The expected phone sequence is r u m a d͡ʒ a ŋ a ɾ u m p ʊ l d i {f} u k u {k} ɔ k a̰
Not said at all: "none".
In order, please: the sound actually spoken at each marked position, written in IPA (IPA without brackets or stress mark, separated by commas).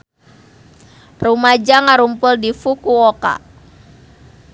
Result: f, none